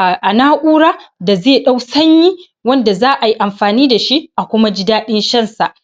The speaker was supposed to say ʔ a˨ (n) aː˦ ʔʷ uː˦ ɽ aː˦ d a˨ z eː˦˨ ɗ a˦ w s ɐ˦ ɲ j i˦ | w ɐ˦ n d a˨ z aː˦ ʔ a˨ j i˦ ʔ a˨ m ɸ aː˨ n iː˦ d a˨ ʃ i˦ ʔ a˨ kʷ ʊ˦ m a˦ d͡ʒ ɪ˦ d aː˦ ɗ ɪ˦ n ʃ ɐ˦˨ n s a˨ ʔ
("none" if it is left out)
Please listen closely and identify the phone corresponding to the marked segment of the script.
n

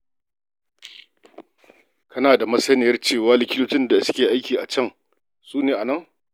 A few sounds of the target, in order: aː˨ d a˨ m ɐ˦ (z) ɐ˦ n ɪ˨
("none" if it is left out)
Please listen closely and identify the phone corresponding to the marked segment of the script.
s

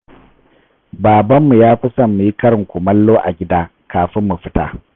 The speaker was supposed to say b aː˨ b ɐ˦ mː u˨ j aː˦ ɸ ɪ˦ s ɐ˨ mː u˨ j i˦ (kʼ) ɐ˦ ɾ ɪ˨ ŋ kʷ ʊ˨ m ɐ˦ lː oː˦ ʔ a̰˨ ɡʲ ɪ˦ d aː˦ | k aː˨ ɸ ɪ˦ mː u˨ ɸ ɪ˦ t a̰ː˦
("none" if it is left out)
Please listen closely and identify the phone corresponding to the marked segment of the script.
k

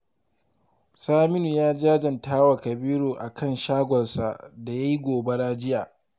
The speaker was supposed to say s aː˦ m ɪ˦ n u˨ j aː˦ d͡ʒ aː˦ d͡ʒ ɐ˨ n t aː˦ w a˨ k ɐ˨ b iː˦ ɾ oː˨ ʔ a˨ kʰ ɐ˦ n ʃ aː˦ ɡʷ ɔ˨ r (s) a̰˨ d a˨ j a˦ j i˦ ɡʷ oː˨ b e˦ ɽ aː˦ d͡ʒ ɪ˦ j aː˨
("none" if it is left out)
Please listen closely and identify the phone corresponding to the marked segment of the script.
s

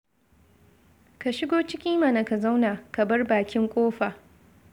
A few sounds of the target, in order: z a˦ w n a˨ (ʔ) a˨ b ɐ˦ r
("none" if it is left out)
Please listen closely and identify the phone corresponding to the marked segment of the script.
k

